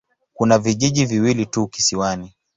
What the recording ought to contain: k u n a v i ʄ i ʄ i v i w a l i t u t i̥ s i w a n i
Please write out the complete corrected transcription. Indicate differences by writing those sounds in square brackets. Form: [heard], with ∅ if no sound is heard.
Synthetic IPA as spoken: k u n a v i ʄ i ʄ i v i w [i] l i t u [k] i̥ s i w a n i